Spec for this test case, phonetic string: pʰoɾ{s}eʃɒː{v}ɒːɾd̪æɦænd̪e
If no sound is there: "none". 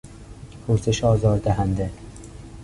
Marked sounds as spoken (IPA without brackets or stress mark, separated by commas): s, z